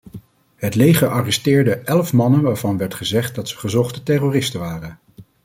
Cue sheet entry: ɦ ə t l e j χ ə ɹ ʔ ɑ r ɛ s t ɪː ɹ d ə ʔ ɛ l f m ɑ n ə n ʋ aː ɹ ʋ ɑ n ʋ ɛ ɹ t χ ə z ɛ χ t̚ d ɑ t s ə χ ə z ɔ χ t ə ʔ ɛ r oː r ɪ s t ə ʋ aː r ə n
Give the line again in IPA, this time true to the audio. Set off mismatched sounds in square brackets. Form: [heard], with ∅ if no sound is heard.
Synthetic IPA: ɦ ə t l e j χ ə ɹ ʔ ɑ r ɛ s t ɪː ɹ d ə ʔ ɛ l f m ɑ n ə n ʋ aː ɹ [v] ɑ n ʋ ɛ ɹ t χ ə z ɛ χ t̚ d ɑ t s ə χ ə z ɔ χ t ə [t] ɛ r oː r ɪ s t ə ʋ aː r ə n

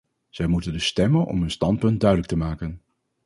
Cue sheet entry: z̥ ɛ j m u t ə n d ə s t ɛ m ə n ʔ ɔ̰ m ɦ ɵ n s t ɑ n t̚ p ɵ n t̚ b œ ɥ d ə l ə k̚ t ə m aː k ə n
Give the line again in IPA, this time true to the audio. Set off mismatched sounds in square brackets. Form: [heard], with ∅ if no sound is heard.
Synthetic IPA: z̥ ɛ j m u t ə n d ə s t ɛ m ə n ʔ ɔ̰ m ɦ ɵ n s t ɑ n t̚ p ɵ n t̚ [d] œ ɥ d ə l ə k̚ t ə m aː k ə n

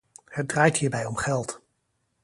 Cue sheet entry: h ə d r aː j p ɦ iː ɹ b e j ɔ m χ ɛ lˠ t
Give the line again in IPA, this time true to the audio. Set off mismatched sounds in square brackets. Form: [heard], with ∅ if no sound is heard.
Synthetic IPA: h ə d r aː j [t] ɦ iː ɹ b [ɛ] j ɔ m χ ɛ lˠ t

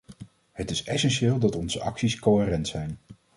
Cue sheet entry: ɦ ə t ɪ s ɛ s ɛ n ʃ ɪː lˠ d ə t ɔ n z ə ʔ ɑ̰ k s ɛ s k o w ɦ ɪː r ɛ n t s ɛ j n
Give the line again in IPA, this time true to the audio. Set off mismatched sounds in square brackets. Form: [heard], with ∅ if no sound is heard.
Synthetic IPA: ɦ ə t ɪ s ɛ s ɛ n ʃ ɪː lˠ d [ɑ] t ɔ n z ə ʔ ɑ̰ k s [i] s k o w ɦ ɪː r ɛ n t s ɛ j n

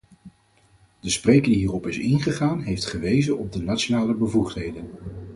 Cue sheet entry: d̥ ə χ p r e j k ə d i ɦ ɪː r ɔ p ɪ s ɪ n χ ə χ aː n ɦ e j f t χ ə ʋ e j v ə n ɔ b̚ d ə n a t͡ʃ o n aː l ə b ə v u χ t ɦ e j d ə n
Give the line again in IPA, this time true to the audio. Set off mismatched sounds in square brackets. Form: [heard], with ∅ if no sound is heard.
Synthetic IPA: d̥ ə [s] p r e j k ə d i ɦ [iː] r ɔ p ɪ s ɪ n χ ə χ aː n ɦ e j f t χ ə ʋ e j [z] ə n ɔ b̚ d ə n a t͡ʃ o n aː l ə b ə v u χ t ɦ e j d ə n

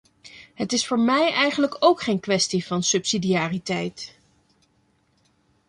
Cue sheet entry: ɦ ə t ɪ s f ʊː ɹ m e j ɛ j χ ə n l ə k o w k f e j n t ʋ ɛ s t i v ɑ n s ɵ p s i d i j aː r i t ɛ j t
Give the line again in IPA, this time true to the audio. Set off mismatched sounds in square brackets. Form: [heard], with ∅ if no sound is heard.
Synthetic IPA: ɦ ə t ɪ s f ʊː ɹ m [ɛ] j ɛ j χ ə n l ə k o w k [χ] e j n [k] ʋ ɛ s t i v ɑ n s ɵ p s i d i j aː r i t ɛ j t

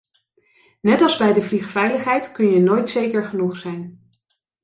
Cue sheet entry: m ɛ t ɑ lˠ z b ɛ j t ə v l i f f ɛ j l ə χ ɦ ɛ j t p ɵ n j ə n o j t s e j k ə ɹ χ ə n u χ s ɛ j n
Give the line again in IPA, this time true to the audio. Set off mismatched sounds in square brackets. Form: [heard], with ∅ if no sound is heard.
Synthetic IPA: [n] ɛ t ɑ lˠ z b ɛ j [d] ə v l i [χ] f ɛ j l ə χ ɦ ɛ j t [k] ɵ n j ə n o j t s e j k ə ɹ χ ə n u χ s ɛ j n

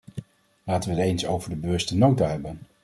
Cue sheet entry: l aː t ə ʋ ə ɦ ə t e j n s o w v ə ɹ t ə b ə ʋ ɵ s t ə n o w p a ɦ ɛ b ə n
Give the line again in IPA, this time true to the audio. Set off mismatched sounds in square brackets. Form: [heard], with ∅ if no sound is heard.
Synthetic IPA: l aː t ə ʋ ə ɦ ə t e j n s o w v ə ɹ [d] ə b ə ʋ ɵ s t ə n o w [t] a ɦ ɛ b ə n

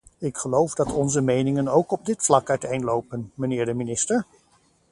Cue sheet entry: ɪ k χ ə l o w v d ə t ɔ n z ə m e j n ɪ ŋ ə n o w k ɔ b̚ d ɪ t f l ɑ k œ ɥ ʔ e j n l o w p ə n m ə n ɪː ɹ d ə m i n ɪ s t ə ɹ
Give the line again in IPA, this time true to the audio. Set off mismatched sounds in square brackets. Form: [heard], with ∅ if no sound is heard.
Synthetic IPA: ɪ k χ ə l o w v d [ɑ] t ɔ n z ə m e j n ɪ ŋ ə n o w k ɔ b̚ d ɪ t f l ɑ k œ ɥ [t] e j n l o w p ə n m ə n ɪː ɹ d ə m i n ɪ s t ə ɹ

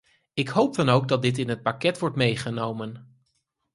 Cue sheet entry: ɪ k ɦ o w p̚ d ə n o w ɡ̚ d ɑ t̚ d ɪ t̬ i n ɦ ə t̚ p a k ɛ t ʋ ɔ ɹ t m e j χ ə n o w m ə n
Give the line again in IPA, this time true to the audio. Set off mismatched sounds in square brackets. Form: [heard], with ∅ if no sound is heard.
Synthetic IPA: ɪ k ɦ o w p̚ d [ɑ] n o w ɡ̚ d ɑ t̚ d ɪ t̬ [ɪ] n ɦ ə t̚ p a k ɛ t ʋ ɔ ɹ t m e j χ ə n o w m ə n

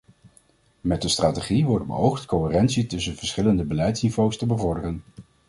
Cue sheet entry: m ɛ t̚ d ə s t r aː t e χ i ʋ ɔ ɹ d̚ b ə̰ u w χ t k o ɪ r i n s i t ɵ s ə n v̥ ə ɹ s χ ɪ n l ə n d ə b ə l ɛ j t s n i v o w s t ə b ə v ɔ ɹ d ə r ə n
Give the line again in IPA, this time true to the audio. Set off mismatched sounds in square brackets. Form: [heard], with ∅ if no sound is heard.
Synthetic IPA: m ɛ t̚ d ə s t r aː t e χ i ʋ ɔ ɹ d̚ b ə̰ [o] w χ t k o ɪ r [ɛ] n s i t ɵ s ə n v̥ ə ɹ s χ ɪ [∅] l ə n d ə b ə l ɛ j t s n i v o w s t ə b ə v ɔ ɹ d ə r ə n

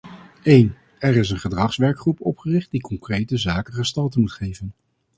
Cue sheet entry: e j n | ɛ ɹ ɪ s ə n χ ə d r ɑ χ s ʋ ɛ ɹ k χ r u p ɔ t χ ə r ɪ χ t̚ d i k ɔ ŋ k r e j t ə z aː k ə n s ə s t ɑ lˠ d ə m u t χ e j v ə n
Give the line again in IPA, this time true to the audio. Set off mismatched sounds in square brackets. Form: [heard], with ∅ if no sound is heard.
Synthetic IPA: e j n | ɛ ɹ ɪ s ə n χ ə d r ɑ χ s ʋ ɛ ɹ k χ r u p ɔ [p] χ ə r ɪ χ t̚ d i k ɔ ŋ k r e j t ə z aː k ə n [χ] ə s t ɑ lˠ [t] ə m u t χ e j v ə n

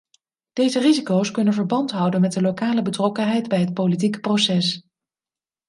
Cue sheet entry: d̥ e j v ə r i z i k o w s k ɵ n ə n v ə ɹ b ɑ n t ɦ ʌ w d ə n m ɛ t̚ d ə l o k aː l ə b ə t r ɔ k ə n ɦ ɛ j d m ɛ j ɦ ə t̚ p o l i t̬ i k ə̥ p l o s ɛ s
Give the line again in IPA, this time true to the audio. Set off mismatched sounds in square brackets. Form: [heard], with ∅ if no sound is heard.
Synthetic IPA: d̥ e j [z] ə r i z i k o w s k ɵ n ə n v ə ɹ b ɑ n t ɦ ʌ w d ə n m ɛ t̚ d ə l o k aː l ə b ə t r ɔ k ə n ɦ ɛ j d [b] ɛ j ɦ ə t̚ p o l i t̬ i k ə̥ p [r] o s ɛ s

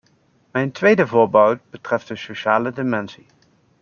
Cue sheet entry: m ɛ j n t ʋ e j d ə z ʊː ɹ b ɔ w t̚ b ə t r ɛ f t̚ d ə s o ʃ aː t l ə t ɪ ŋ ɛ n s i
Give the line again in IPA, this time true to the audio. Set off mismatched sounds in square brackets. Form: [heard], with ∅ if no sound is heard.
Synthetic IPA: m ɛ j n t ʋ e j d ə [v] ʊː ɹ b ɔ w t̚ b ə t r ɛ f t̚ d ə s o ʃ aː [∅] l ə [d] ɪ [m] ɛ n s i

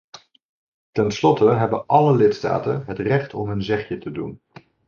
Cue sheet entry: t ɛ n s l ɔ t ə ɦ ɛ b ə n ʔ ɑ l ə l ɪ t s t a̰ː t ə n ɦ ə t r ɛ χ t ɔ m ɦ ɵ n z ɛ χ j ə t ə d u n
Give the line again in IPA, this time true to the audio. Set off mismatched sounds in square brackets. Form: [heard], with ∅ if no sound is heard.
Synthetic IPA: t ɛ n s l ɔ t ə ɦ ɛ b ə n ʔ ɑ l ə l ɪ t s t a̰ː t ə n ɦ ə t r ɛ χ t ɔ m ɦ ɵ n z ɛ χ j ə t ə d u n

